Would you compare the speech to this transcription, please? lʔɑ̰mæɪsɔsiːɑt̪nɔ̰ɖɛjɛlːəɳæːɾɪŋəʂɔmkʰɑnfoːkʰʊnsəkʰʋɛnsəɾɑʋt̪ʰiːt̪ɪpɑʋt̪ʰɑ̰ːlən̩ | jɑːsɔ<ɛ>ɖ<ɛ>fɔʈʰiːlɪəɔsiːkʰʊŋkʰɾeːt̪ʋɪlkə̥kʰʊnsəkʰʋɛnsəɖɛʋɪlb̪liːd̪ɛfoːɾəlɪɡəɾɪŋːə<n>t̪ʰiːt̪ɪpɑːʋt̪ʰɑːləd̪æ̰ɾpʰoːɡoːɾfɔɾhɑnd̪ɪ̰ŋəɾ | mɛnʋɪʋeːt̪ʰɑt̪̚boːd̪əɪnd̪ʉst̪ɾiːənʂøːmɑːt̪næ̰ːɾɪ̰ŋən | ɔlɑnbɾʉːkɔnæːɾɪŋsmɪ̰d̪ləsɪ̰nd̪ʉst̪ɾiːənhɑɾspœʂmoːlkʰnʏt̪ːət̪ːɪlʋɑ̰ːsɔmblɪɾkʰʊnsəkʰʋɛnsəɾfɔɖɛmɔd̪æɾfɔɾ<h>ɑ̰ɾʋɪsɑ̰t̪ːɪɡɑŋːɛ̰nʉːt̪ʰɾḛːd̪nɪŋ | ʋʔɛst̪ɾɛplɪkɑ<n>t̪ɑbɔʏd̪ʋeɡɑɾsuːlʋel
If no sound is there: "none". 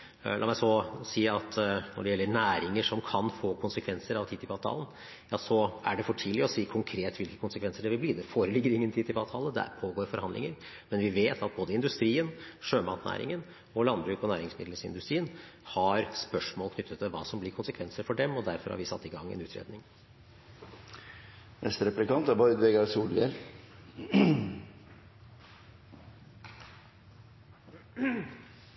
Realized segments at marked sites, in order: æ, ɛ, n, h, n

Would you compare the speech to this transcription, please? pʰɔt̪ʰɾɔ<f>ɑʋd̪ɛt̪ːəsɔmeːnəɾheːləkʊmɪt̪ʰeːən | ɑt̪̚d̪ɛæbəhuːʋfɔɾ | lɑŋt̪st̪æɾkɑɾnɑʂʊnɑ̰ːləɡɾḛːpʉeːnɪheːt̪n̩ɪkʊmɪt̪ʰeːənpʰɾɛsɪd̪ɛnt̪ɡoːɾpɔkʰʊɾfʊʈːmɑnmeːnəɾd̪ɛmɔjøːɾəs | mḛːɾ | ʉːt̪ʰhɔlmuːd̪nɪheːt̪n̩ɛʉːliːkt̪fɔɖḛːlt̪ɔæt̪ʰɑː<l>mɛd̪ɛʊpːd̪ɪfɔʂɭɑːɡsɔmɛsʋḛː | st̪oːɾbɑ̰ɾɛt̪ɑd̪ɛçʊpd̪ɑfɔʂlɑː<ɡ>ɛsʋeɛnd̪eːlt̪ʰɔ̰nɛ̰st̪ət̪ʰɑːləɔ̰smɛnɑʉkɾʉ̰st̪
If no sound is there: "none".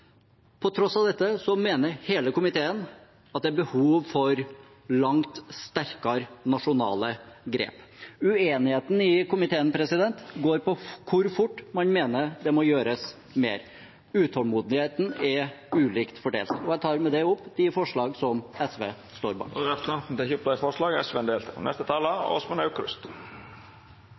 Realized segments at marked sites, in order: s, ɾ, ɡ

